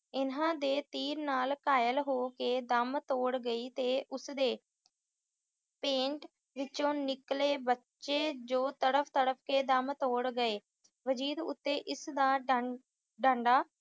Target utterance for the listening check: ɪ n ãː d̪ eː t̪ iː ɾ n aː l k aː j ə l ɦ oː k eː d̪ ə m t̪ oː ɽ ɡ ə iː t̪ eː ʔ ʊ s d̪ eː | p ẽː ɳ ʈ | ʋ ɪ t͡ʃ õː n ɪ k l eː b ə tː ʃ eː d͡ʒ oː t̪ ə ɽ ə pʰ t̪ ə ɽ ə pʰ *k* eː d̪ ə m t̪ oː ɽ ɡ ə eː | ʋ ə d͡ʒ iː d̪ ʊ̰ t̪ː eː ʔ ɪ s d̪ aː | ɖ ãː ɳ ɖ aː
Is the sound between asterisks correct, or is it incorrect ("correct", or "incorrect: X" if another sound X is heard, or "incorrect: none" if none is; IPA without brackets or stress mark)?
correct